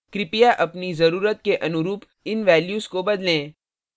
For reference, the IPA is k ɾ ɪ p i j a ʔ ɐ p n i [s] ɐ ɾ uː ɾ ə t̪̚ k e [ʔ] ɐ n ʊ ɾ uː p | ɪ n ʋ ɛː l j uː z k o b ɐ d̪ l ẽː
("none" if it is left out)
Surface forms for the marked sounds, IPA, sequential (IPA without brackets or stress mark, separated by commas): z, ʔ